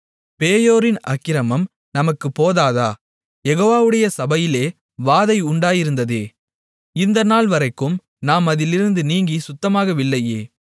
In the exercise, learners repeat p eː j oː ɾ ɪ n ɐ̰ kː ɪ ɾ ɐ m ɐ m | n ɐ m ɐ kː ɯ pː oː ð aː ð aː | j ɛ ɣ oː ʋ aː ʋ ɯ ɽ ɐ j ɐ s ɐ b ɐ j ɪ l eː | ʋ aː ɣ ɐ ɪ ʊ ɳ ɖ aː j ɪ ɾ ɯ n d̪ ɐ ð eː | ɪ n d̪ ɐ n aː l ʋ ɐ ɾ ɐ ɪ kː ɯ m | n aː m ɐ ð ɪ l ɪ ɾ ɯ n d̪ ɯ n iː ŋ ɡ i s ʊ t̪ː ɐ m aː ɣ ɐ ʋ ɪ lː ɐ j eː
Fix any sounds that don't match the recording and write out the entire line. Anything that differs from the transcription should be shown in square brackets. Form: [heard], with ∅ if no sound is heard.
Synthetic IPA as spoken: p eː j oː ɾ ɪ n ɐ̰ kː ɪ ɾ ɐ m ɐ m | n ɐ m ɐ kː ɯ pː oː ð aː ð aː | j ɛ ɣ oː ʋ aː ʋ ɯ ɽ ɐ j ɐ s ɐ b ɐ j ɪ l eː | ʋ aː [ð] ɐ ɪ ʊ ɳ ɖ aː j ɪ ɾ ɯ n d̪ ɐ ð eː | ɪ n d̪ ɐ n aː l ʋ ɐ ɾ ɐ ɪ kː ɯ m | n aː m ɐ ð ɪ l ɪ ɾ ɯ n d̪ ɯ n iː ŋ ɡ i s ʊ t̪ː ɐ m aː ɣ ɐ ʋ ɪ lː ɐ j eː